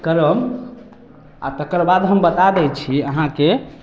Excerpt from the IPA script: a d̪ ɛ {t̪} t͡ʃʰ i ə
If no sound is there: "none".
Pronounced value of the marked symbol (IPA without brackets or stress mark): none